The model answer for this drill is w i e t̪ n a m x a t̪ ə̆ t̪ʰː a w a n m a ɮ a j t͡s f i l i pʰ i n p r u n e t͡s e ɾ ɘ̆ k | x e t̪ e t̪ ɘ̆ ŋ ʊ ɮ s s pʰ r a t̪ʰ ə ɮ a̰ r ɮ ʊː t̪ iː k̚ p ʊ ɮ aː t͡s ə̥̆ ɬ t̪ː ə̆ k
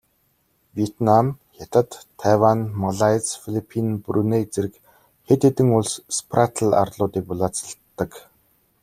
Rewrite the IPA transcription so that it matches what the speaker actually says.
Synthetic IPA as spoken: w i e t̪ n a m x a t̪ ə̆ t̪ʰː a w a n m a ɮ a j t͡s f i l i pʰ i n p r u n e t͡s e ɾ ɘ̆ k | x e t̪ e t̪ ɘ̆ ŋ ʊ ɮ s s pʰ r a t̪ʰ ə ɮ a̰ r ɮ ʊː t̪ iː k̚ p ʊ ɮ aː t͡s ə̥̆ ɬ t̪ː ə̆ k

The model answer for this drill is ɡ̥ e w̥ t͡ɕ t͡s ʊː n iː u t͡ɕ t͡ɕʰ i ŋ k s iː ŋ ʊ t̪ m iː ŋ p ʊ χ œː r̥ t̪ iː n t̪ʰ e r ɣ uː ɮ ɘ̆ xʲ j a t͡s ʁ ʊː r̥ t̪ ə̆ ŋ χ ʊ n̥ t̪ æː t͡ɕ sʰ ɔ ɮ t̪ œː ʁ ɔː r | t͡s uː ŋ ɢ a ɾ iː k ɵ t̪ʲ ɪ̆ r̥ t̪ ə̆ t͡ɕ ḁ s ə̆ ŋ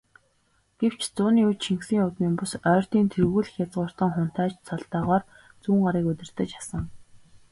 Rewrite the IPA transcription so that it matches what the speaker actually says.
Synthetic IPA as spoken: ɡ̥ e w̥ t͡ɕ t͡s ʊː n iː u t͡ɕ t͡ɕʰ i ŋ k s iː ŋ ʊ t̪ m iː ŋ p ʊ s œː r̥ t̪ iː n t̪ʰ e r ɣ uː ɮ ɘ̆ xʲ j a t͡s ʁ ʊː r̥ t̪ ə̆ ŋ χ ʊ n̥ t̪ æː t͡ɕ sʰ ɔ ɮ t̪ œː ʁ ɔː r | t͡s uː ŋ ɢ a ɾ iː k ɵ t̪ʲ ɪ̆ r̥ t̪ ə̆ t͡ɕ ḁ s ə̆ ŋ

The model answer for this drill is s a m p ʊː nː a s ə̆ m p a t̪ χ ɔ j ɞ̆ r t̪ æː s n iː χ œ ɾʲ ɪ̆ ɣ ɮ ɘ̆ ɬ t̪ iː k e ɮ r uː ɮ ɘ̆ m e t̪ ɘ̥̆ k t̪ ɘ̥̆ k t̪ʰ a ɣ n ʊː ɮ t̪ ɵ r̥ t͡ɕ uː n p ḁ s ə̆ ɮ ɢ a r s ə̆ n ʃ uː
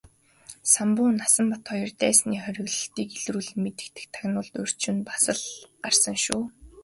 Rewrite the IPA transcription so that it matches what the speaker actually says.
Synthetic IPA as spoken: s a m p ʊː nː a s ə̆ m p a t̪ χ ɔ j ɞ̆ r t̪ æː s n iː χ œ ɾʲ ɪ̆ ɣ ɮ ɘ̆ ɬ t̪ iː k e ɮ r uː ɮ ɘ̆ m e t̪ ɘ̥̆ k t̪ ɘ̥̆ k t̪ʰ a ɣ n ʊː ɮ t̪ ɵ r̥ t͡ɕ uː n p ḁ s ə̆ ɮ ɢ a r s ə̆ ŋ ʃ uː

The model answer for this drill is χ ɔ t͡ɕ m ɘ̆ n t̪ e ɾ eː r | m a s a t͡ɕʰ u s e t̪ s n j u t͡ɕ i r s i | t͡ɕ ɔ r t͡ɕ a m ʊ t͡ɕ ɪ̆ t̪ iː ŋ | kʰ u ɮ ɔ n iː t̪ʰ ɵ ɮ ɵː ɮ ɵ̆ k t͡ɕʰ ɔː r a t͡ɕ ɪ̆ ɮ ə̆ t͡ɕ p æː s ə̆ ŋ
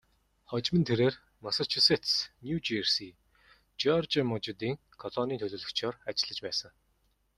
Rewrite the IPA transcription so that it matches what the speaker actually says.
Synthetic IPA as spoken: χ ɔ t͡ɕ m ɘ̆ n t̪ʰ e ɾ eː r | m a s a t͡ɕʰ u s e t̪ s n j u t͡ɕ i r s i | t͡ɕ ɔ r t͡ɕ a m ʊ t͡ɕ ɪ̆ t̪ iː ŋ | kʰ ɔ ɮ ɔ n iː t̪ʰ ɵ ɮ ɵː ɮ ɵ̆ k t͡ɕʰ ɔː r a t͡ɕ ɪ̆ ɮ ə̆ t͡ɕ p æː s ə̆ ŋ

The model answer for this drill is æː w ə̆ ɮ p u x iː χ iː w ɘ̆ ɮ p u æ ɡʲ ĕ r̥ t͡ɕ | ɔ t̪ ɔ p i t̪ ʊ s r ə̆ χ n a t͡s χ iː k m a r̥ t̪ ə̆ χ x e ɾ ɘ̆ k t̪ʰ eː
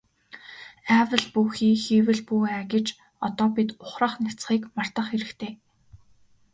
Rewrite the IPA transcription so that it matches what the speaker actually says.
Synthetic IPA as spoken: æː w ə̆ ɮ p u x iː x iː w ɘ̆ ɮ p u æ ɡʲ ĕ t͡ɕ | ɔ t̪ ɔː p i t̪ ʊ χ r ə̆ χ n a t͡s χ iː k m a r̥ t̪ ə̆ χ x e ɾ ɘ̆ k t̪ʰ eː

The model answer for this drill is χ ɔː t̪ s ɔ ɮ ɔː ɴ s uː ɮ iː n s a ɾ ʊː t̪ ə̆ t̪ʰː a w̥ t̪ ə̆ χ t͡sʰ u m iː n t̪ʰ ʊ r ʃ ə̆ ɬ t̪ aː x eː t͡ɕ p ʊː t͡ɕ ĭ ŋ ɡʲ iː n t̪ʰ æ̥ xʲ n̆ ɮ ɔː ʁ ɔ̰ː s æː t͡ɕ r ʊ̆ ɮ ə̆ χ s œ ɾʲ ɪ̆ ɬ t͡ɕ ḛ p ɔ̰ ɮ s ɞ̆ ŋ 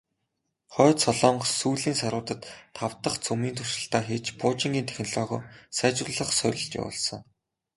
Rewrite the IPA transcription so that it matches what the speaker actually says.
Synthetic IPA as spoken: χ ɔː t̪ s ɔ ɮ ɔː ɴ s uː ɮ iː n s a ɾ ʊː t̪ ə̆ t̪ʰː a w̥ t̪ ə̆ χ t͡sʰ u m iː n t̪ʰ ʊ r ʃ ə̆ ɬ t̪ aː x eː t͡ɕ p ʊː t͡ɕ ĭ ŋ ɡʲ iː n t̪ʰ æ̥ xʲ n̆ ɮ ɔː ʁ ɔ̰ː s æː t͡ɕ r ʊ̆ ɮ ə̆ χ s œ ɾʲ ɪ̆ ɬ t͡ɕ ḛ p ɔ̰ ɮ s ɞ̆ ŋ

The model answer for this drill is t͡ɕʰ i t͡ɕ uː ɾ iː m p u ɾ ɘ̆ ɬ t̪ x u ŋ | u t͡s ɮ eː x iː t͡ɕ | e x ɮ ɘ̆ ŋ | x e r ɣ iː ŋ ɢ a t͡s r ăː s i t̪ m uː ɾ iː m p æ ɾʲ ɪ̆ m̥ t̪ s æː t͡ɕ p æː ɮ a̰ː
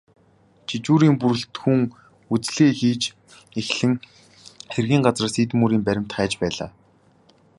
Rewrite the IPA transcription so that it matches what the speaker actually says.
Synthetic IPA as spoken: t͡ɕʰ i t͡ɕ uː ɾ iː m p u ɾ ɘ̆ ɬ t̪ x u ŋ | u t͡s ɮ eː x iː t͡ɕ | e x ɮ ɘ̆ ŋ | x e r ɣ iː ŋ ɢ a t͡s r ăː s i t̪ m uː ɾ iː m p æ ɾʲ ɪ̆ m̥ t̪ χ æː t͡ɕ p æː ɮ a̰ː

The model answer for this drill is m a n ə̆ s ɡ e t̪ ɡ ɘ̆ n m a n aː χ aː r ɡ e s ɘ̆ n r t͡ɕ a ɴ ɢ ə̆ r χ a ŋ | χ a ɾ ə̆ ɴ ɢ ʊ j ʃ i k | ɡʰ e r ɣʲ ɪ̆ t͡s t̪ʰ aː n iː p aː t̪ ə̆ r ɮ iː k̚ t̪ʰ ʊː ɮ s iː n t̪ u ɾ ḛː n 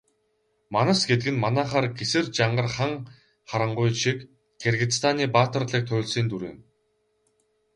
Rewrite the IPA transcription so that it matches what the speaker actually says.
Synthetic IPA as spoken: m a n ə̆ s ɡ e t̪ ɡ ɘ̆ n m a n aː χ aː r ɡ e s ɘ̆ r t͡ɕ a ɴ ɢ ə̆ r χ a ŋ | χ a ɾ ə̆ ɴ ɢ ʊ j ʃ i k | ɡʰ e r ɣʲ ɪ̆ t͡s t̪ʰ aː n iː p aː t̪ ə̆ r ɮ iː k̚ t̪ʰ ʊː ɮ s iː n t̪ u ɾ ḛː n

